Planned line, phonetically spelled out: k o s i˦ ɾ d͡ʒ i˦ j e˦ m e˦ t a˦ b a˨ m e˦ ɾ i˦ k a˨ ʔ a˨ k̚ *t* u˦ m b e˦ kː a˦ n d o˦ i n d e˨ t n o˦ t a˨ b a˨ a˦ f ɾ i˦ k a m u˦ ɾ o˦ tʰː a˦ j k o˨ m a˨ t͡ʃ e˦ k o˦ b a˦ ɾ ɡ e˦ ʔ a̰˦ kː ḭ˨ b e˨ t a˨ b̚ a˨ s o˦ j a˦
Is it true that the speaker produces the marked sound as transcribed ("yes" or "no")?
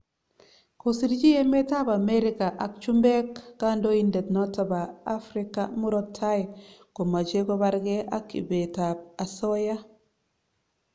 no